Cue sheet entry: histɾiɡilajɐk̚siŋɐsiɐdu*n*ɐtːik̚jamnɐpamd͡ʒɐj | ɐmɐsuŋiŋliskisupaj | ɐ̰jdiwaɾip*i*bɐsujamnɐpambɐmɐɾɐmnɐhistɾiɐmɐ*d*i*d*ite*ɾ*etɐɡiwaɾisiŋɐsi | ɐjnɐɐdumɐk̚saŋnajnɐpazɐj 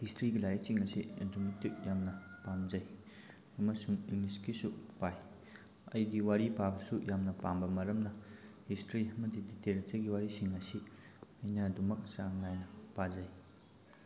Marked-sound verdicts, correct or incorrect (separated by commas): incorrect, incorrect, correct, correct, correct